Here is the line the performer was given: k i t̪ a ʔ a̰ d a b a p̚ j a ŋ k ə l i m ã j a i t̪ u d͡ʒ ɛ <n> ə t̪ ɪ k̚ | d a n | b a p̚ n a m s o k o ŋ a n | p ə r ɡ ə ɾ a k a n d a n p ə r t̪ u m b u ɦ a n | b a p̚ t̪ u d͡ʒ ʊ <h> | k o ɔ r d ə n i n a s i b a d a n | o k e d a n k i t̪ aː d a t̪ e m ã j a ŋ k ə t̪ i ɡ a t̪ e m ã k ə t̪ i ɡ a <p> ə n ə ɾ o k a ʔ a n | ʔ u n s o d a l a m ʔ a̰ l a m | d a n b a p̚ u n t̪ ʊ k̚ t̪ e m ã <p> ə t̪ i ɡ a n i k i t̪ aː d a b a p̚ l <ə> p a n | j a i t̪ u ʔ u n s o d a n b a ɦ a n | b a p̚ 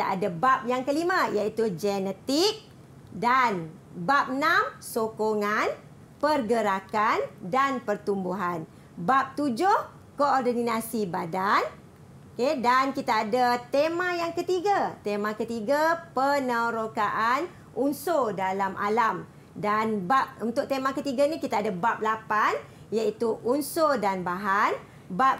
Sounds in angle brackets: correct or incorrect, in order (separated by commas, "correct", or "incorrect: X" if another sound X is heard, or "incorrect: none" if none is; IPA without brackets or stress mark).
correct, correct, correct, incorrect: k, incorrect: a